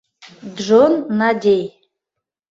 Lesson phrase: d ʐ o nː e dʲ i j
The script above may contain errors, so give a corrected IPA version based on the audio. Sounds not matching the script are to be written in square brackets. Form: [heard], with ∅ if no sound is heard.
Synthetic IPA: d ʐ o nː [a] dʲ [e] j